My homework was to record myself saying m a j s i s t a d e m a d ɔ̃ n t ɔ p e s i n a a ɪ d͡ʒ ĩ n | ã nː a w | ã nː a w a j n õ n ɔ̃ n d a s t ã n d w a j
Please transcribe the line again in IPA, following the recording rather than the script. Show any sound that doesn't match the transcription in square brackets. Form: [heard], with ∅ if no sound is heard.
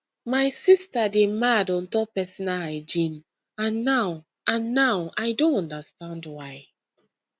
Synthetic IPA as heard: m a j s i s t a d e m a d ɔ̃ n t ɔ p [ɛ] s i n a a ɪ d͡ʒ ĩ n | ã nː a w | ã nː a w a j [d] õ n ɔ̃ n d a s t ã n d w a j